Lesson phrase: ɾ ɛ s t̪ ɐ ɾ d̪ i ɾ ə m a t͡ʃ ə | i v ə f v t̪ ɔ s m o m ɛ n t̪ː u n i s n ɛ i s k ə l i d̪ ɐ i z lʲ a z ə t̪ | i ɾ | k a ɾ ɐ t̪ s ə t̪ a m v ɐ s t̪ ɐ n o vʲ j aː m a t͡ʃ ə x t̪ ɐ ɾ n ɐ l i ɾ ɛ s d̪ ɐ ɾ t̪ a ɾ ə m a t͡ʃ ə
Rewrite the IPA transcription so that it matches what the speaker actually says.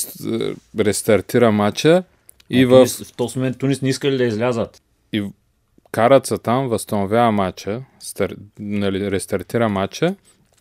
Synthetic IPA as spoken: ɾ ɛ s t̪ ɐ ɾ t̪ i ɾ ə m a t͡ʃ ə | i v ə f f t̪ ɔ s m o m ɛ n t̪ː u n i s n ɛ i s k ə l i d̪ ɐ i z lʲ a z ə t̪ | i | k a ɾ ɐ t̪ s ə t̪ a m v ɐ s t̪ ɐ n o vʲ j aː m a t͡ʃ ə s t̪ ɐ ɾ n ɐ l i ɾ ɛ s t̪ ɐ ɾ t̪ i ɾ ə m a t͡ʃ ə